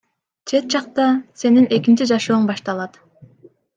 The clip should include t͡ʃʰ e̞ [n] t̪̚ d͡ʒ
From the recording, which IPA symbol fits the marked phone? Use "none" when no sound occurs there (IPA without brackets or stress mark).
none